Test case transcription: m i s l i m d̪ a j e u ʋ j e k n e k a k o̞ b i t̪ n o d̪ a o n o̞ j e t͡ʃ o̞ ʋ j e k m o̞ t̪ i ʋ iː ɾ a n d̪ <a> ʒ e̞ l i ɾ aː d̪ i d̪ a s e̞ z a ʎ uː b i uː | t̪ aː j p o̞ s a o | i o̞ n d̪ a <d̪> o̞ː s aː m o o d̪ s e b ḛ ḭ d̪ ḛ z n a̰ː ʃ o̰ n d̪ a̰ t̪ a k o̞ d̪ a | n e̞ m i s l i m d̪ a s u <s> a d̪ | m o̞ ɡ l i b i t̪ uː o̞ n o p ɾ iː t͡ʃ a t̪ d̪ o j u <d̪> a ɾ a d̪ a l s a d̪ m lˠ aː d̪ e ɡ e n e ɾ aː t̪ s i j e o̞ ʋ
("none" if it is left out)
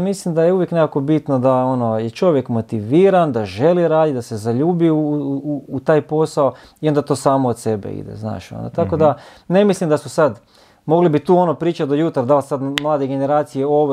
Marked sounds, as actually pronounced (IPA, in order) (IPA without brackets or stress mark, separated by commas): a, t̪, s, t̪